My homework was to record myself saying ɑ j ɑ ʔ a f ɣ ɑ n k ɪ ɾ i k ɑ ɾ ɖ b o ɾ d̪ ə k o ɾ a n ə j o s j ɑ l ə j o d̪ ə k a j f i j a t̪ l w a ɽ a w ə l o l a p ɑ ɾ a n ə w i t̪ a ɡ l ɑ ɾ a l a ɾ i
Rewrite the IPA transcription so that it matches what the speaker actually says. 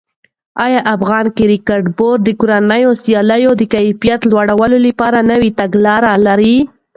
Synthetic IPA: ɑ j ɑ ʔ a f ɣ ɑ n k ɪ ɾ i k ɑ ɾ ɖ b o ɾ d̪ ə k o ɾ a n ə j o s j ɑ l ə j o d̪ ə k a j f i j a t̪ l w a ɽ a w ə l o l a p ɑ ɾ a n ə w i t̪ a ɡ l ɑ ɾ a l a ɾ i